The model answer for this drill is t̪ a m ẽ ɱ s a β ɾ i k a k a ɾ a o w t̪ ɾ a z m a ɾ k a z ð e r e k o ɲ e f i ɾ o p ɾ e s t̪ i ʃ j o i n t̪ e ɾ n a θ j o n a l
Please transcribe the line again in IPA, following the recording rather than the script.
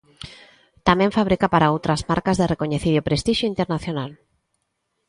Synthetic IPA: t̪ a m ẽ ɱ f a β ɾ i k a p a ɾ a o w t̪ ɾ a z m a ɾ k a z ð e r e k o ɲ e θ i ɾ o p ɾ e s t̪ i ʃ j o i n t̪ e ɾ n a θ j o n a l